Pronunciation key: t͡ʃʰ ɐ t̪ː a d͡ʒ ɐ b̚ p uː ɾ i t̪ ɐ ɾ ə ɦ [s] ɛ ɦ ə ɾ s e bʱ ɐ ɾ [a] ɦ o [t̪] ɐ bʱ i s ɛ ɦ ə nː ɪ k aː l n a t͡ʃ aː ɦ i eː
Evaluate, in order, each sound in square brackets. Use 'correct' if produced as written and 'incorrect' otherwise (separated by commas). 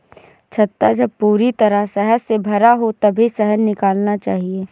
correct, correct, correct